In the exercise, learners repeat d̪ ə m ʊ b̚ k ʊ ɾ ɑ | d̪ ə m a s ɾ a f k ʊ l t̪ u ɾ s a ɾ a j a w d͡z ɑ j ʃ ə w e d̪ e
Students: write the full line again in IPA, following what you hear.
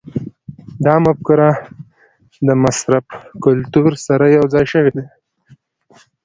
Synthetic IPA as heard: d̪ ɑ m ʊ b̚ k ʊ ɾ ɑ | d̪ ə m a s ɾ a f k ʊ l t̪ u ɾ s a ɾ a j a w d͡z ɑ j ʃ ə w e d̪ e